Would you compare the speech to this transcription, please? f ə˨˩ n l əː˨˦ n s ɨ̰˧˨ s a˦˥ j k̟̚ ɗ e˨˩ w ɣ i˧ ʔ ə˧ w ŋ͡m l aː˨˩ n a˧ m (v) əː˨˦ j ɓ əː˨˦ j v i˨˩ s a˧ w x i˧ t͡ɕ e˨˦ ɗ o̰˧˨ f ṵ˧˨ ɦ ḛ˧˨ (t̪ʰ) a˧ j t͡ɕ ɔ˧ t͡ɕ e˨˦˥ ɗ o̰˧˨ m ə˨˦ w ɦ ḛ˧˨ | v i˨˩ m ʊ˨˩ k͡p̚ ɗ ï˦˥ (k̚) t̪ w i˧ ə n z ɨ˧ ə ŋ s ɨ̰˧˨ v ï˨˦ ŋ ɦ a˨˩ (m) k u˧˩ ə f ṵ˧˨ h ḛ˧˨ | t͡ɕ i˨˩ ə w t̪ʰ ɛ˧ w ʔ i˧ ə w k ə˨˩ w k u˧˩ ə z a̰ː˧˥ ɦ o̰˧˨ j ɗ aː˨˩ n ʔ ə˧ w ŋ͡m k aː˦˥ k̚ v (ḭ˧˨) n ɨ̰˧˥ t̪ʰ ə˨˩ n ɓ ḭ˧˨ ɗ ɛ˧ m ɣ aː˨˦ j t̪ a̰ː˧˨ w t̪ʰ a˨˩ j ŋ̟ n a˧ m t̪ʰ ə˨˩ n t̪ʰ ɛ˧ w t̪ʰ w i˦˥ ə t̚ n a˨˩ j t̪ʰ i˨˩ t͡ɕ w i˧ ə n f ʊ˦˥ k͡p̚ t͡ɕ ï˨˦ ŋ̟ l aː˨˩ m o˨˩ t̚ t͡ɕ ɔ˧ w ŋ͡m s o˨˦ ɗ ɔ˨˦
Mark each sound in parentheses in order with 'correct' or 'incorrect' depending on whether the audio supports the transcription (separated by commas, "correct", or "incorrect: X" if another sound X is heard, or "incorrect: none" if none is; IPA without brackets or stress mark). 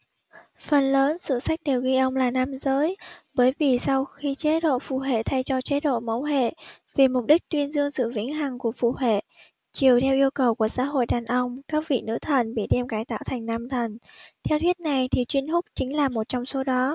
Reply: incorrect: z, correct, correct, incorrect: ŋ, correct